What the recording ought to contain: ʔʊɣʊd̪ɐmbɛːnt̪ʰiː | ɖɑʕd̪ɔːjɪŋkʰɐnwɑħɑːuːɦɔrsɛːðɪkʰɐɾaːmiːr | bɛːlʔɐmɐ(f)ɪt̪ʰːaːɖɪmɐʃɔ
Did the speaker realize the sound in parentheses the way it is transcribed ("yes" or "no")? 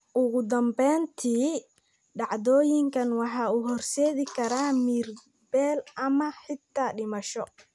no